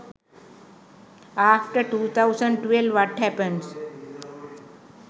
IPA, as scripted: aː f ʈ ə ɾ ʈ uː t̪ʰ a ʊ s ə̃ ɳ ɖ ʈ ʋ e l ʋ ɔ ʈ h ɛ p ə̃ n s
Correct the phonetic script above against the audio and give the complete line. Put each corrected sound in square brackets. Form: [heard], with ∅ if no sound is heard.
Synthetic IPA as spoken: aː f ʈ ə ɾ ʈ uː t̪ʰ a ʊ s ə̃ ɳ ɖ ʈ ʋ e l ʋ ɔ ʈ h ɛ p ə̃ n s